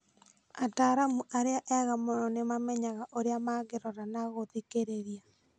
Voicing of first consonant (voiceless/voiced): voiceless